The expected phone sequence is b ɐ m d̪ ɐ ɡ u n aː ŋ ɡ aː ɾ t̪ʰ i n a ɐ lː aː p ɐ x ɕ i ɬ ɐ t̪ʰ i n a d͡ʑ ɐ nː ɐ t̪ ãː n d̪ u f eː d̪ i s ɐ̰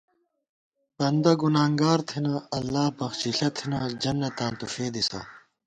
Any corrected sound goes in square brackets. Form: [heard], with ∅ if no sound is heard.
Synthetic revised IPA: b ɐ [n] d̪ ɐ ɡ u n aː ŋ ɡ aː ɾ t̪ʰ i n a ɐ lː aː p ɐ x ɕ i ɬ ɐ t̪ʰ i n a d͡ʑ ɐ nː ɐ t̪ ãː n [t̪] u f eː d̪ i s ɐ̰

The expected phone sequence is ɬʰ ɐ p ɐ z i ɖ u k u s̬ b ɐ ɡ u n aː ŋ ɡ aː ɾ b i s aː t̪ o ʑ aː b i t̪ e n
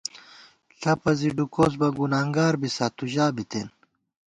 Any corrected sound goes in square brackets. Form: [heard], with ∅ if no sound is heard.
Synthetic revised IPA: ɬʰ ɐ p ɐ z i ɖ u k [o] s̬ b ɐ ɡ u n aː ŋ ɡ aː ɾ b i s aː t̪ [u] ʑ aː b i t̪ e n

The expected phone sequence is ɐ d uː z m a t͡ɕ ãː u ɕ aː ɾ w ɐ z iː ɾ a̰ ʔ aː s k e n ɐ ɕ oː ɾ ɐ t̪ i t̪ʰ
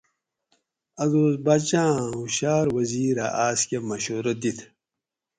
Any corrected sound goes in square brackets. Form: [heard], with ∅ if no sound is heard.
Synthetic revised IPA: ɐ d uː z [b] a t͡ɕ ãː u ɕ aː ɾ w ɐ z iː ɾ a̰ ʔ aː s k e [m] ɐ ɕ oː ɾ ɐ [d̪] i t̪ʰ

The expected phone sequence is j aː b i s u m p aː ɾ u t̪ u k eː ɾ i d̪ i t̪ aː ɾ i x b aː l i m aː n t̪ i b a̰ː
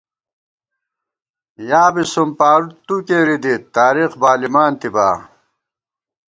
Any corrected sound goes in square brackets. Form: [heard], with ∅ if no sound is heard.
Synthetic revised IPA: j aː b i s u m p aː ɾ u t̪ u k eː ɾ i d̪ i t̪ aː ɾ i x b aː l i m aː n t̪ i b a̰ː

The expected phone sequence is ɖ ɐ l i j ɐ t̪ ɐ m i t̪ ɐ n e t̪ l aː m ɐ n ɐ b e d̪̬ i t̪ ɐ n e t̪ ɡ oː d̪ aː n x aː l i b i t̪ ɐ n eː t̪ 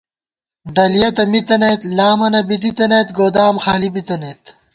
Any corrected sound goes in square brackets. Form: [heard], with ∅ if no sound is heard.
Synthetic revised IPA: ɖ ɐ l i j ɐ t̪ ɐ m i t̪ ɐ n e t̪ l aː m ɐ n ɐ b [i] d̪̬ i t̪ ɐ n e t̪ ɡ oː d̪ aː [m] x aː l i b i t̪ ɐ n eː t̪

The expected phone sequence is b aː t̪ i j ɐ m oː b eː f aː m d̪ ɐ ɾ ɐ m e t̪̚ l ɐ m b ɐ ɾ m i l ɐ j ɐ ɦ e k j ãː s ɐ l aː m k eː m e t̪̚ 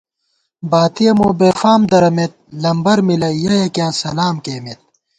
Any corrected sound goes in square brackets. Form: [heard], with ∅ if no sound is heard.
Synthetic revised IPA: b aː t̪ i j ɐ m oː b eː f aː m d̪ ɐ ɾ ɐ m e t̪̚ l ɐ m b ɐ ɾ m i l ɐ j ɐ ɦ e k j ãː s ɐ l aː m k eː m e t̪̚

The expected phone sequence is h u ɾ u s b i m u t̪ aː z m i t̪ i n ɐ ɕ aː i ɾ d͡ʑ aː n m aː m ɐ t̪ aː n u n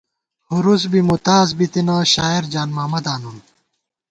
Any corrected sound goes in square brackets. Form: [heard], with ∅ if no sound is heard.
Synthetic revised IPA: h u ɾ u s b i m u t̪ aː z [b] i t̪ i n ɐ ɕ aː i ɾ d͡ʑ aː n m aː m ɐ [d̪] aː n u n

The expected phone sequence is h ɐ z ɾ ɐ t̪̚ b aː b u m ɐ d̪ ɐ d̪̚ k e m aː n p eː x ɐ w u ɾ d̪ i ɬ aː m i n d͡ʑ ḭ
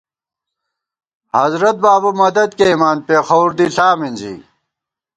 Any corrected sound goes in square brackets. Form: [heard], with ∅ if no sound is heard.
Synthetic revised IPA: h ɐ z ɾ ɐ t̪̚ b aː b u m ɐ d̪ ɐ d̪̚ k e m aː n p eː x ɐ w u ɾ d̪ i ɬ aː m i n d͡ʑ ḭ

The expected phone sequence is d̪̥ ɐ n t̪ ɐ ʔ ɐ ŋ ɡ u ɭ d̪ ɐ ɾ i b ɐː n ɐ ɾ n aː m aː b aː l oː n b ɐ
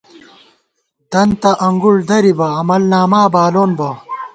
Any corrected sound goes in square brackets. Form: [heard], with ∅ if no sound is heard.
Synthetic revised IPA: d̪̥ ɐ n t̪ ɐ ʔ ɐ ŋ ɡ u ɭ d̪ ɐ ɾ i b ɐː [m] ɐ [l] n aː m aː b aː l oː n b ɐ

